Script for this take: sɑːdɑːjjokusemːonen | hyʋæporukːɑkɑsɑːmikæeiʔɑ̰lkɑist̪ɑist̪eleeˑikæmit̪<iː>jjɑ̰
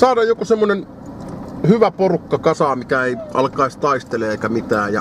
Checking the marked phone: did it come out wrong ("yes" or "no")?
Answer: yes